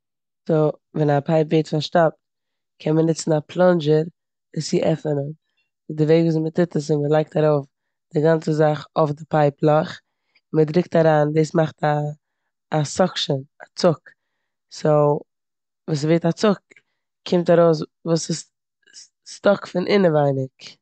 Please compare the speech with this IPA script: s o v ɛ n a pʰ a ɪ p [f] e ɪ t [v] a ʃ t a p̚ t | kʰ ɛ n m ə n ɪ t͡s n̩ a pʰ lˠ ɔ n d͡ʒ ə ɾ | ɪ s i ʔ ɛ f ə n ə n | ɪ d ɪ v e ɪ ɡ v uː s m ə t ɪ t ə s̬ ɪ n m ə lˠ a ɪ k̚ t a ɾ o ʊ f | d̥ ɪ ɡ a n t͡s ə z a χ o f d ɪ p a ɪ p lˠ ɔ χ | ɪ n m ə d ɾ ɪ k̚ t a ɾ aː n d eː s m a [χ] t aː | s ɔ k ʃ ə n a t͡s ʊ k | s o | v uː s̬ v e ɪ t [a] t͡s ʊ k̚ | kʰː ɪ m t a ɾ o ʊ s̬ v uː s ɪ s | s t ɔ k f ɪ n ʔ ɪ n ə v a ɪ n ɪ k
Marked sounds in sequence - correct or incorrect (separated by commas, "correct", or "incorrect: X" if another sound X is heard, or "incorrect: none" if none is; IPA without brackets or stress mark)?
incorrect: v, incorrect: f, correct, correct